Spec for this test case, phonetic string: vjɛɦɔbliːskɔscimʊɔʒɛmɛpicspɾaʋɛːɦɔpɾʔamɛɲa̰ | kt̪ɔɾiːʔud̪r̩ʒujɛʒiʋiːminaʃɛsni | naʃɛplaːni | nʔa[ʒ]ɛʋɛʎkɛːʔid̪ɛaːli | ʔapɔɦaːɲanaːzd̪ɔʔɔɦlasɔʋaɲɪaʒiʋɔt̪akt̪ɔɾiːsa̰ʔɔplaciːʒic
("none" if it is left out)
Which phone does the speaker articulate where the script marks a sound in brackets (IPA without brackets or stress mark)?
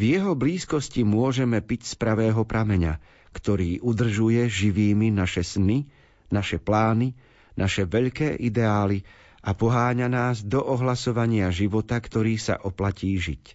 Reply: ʃ